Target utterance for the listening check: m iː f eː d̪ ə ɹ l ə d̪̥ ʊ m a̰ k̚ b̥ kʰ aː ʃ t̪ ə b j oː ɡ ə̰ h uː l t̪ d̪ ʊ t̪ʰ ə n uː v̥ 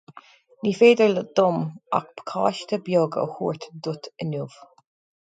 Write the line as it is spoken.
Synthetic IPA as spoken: n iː f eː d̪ ə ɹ l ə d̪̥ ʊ m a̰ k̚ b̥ kʰ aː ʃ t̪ ə b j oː ɡ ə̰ h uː ɹ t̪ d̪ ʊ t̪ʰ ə n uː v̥

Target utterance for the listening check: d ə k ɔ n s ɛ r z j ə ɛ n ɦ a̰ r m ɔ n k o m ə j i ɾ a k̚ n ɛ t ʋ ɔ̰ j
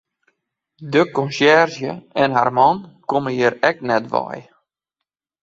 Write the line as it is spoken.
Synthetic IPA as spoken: d ə k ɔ n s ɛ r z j ə ɛ n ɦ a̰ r m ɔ n k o m ə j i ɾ ɛ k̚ n ɛ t ʋ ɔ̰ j

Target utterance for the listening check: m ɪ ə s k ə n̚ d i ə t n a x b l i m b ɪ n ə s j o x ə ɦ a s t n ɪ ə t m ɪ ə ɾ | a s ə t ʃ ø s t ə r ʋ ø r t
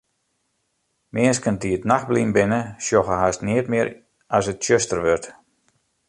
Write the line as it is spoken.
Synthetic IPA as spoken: m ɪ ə s k ə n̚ d i ə t n a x b l i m b ɪ n ə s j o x ə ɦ a s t n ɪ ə t m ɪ ə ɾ | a s ə t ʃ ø s t ə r ʋ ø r t

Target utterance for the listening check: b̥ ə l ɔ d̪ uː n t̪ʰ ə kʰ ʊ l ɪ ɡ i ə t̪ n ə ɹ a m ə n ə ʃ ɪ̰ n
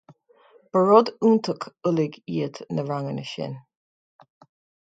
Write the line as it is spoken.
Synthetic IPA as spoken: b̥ ə ɹ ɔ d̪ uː n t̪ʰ ə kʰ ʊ l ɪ ɡ i ə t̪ n ə ɹ a ŋ ə n ə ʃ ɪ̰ n

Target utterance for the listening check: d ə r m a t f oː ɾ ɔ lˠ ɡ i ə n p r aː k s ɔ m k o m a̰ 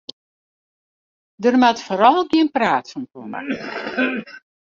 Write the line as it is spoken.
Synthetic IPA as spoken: d ə r m a t f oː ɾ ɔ lˠ ɡ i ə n p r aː t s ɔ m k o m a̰

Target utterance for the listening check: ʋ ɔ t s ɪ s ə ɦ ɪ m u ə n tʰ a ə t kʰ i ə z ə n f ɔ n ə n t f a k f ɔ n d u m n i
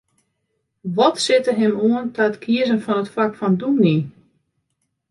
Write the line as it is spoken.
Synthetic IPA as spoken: ʋ ɔ t s ɪ t ə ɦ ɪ m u ə n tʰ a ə t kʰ i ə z ə n f ɔ n ə t f a k f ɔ n d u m n i

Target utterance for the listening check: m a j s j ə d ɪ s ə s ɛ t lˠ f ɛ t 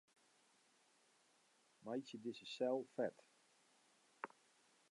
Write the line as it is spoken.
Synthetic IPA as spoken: m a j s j ə d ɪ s ə s ɛ lˠ f ɛ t

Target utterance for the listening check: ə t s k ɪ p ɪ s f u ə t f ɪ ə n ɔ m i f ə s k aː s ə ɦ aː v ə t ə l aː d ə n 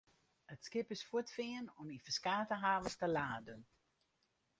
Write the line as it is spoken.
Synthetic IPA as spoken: ə t s k ɪ p ɪ s f u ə t f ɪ ə n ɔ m i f ə s k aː t ə ɦ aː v ə t ə l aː d ə n

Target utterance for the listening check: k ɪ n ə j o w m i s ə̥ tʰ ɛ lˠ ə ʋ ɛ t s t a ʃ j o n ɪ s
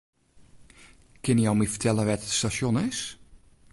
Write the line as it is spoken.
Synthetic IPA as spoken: k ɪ n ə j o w m i f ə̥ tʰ ɛ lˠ ə ʋ ɛ t s t a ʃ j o n ɪ s

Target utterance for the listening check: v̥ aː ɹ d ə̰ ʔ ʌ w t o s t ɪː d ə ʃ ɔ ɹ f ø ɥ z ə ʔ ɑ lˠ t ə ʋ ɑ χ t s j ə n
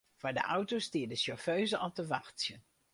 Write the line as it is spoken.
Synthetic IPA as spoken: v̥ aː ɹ d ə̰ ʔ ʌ w t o s t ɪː d ə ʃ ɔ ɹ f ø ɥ z ə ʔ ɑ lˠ t ə ʋ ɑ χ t s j ə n

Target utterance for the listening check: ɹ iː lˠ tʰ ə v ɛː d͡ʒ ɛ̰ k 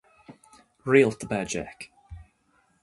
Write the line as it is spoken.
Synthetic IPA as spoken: ɹ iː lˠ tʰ ə b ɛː d͡ʒ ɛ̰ k

